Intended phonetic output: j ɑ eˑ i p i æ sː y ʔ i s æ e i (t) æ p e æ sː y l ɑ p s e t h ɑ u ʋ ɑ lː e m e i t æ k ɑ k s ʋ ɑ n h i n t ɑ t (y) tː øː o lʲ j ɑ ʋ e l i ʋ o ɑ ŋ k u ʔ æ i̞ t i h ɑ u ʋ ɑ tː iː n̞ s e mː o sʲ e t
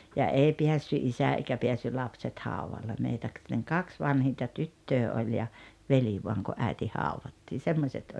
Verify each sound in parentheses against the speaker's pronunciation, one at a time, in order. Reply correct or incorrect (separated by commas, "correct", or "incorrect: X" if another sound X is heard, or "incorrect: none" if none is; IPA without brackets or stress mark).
incorrect: k, correct